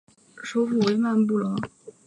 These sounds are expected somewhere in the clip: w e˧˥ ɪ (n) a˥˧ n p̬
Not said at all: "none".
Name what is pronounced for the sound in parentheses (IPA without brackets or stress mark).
m